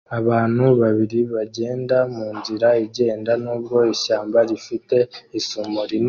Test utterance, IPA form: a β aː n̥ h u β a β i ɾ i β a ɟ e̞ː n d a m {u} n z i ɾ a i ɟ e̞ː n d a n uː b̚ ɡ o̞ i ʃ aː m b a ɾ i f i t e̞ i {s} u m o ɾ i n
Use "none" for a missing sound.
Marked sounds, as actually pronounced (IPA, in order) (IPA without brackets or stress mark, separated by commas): uː, s